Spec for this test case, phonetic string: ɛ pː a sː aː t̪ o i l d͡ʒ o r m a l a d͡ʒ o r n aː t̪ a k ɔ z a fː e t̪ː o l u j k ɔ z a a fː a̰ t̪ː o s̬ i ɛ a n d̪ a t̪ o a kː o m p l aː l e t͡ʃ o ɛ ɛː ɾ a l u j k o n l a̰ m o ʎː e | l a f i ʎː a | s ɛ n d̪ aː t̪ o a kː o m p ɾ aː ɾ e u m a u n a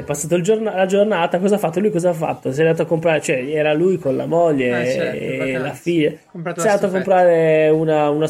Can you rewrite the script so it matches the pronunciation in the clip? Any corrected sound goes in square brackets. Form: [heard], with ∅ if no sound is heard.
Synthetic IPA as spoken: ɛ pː a sː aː t̪ o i l d͡ʒ o r [n] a l a d͡ʒ o r n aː t̪ a k ɔ z a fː [a] t̪ː o l u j k ɔ z a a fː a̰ t̪ː o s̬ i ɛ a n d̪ a t̪ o a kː o m p [ɾ] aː [ɾ] e t͡ʃ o ɛ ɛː ɾ a l u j k o n l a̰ m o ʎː e | l a f i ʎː a | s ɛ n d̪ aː t̪ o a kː o m p ɾ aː ɾ e u [n] a u n a